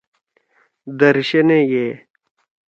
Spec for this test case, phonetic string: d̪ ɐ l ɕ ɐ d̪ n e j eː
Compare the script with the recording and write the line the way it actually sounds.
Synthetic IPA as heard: d̪ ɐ ɾ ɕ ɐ n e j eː